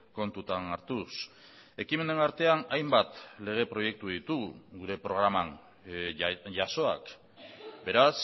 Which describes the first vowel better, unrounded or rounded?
rounded